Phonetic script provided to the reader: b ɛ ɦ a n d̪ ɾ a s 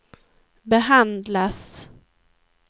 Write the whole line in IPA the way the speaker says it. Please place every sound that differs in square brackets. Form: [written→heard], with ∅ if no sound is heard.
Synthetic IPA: b ɛ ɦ a n d̪ [ɾ→l] a s